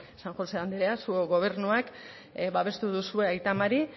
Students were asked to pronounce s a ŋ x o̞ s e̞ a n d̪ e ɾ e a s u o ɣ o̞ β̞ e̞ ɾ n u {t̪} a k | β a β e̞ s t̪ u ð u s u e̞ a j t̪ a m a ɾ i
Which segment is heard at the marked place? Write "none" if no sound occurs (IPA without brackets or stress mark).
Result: none